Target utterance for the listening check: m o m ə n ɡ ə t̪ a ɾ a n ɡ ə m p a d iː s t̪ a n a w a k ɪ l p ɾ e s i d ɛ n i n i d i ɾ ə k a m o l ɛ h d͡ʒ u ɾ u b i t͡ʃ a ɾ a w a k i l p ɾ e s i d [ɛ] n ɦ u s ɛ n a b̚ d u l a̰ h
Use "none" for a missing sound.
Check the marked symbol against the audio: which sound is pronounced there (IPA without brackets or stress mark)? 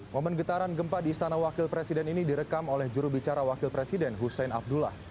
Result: ɛ